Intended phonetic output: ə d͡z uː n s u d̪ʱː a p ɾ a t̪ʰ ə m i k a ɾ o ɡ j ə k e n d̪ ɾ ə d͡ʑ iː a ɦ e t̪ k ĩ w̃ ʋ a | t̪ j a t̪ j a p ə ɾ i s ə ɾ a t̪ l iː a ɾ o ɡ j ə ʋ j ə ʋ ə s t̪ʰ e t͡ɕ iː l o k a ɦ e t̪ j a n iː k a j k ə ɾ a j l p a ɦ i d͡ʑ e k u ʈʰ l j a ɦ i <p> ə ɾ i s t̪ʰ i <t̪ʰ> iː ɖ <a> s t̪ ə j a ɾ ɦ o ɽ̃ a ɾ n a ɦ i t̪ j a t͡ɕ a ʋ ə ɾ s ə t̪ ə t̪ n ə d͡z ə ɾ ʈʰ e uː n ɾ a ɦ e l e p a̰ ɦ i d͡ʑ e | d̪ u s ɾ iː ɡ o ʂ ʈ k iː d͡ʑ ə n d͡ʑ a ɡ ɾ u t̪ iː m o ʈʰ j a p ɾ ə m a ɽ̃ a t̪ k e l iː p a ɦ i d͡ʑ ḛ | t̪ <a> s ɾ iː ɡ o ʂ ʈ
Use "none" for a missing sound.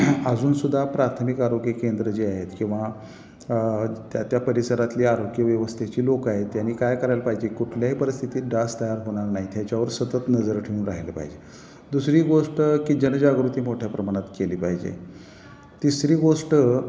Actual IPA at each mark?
p, t̪, a, i

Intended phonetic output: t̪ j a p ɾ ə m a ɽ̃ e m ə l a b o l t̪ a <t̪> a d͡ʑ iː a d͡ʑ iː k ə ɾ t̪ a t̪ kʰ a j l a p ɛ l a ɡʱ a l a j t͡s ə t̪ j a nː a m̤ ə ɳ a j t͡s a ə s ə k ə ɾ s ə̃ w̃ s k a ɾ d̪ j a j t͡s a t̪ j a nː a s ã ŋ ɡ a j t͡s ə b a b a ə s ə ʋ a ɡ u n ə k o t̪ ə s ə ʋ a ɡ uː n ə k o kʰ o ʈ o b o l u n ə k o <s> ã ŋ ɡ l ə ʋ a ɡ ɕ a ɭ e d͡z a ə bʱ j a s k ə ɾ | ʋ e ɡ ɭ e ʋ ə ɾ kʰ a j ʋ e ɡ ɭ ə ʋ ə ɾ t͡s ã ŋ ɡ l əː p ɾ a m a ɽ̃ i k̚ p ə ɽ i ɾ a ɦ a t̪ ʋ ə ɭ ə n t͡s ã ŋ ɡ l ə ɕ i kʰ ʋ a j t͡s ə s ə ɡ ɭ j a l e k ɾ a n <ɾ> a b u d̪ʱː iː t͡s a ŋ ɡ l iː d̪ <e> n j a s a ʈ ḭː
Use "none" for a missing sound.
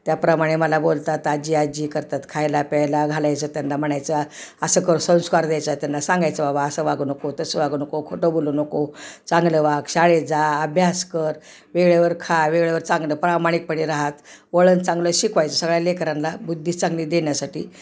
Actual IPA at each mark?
t̪, t͡s, l, e

